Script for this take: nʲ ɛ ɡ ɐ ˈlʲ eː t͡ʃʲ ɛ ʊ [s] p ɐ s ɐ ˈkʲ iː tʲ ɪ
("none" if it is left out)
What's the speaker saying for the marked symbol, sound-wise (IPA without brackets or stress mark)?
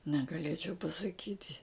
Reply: none